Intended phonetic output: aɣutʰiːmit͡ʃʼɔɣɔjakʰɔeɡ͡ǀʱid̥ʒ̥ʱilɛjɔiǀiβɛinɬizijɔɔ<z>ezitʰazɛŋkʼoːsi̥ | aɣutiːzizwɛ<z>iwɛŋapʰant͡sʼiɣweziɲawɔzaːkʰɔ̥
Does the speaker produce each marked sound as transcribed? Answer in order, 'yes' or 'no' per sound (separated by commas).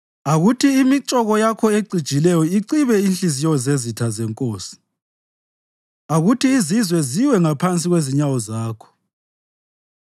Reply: yes, yes